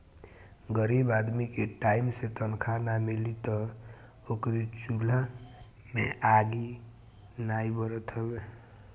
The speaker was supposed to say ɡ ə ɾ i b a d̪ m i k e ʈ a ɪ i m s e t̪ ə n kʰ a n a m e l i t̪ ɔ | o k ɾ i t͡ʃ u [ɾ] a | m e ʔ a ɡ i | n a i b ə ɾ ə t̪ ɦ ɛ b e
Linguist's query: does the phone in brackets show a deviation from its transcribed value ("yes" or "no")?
yes